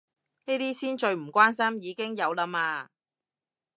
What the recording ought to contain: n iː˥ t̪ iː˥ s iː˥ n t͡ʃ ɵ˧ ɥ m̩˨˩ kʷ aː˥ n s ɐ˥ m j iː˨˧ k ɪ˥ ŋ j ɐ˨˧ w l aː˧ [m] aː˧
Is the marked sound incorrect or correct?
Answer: correct